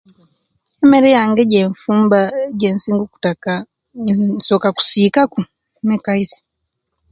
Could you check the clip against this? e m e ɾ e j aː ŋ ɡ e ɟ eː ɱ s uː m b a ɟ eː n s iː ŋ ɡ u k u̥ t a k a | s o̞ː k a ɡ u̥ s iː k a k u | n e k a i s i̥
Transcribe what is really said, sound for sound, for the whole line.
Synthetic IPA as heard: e m e ɾ e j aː ŋ ɡ e ɟ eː ɱ f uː m b a ɟ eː n s iː ŋ ɡ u k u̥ t a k a | s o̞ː k a k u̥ s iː k a k u | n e k a i s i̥